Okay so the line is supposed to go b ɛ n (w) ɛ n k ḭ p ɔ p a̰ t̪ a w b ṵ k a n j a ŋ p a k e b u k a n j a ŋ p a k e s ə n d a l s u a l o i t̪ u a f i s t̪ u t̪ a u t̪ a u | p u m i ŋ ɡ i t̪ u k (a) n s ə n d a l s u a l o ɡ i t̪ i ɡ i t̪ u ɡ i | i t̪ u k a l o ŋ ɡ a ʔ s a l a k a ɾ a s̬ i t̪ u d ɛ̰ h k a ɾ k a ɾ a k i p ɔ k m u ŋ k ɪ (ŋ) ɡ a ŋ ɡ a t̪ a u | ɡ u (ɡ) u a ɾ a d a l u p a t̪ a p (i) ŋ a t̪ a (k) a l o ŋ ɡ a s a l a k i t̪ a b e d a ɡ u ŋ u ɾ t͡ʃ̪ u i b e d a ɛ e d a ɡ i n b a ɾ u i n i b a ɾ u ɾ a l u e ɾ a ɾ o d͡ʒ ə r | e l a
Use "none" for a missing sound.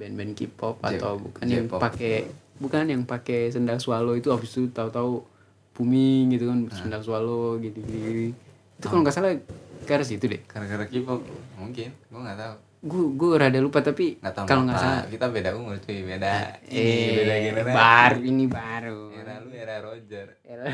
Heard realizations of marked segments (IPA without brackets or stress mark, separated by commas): b, a, n, ɡ, i, k